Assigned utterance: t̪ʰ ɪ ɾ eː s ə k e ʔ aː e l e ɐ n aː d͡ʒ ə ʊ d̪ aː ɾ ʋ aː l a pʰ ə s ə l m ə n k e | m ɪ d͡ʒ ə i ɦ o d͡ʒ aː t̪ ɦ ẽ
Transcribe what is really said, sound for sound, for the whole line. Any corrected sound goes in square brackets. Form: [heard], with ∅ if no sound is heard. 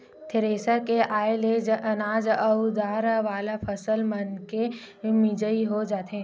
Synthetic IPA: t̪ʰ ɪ ɾ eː s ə k e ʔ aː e l e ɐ n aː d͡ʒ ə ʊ d̪ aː ɾ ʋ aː l a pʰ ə s ə l m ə n k e | m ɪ d͡ʒ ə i ɦ o d͡ʒ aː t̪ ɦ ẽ